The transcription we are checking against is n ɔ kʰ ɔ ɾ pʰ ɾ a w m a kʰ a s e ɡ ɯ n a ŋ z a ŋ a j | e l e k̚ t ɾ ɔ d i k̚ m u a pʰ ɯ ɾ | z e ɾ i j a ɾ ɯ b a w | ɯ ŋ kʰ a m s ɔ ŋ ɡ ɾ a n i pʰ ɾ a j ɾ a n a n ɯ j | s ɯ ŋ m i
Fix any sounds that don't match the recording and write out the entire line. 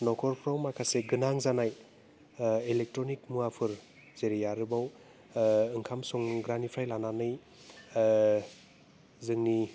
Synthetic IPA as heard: n ɔ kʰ ɔ ɾ pʰ ɾ a w m a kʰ a s e ɡ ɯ n a ŋ z a n a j | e l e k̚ t ɾ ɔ n i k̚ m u a pʰ ɯ ɾ | z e ɾ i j a ɾ ɯ b a w | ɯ ŋ kʰ a m s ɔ ŋ ɡ ɾ a n i pʰ ɾ a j l a n a n ɯ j | z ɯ ŋ n i